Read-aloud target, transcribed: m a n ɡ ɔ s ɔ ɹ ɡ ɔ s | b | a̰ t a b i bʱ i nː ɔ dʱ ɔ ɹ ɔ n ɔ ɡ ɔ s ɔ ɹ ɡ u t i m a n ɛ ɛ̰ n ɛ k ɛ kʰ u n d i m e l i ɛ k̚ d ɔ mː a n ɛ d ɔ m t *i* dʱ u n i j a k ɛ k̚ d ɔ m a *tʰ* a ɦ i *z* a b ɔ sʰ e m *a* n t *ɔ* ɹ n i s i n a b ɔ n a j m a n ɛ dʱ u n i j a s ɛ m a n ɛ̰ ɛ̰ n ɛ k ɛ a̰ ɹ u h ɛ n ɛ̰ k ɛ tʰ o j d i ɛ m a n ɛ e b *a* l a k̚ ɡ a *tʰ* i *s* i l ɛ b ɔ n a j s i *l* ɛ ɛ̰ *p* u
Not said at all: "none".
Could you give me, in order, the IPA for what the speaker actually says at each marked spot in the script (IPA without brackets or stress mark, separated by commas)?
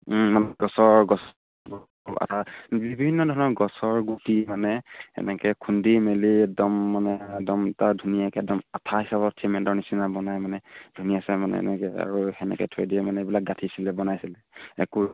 a, tʰ, s, ɛ, ɔ, i, tʰ, s, l, k